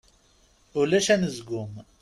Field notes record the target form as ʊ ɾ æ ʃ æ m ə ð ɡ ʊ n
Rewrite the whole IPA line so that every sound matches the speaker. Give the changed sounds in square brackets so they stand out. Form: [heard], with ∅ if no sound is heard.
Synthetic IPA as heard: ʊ [l] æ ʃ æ [n] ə [z] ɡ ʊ [m]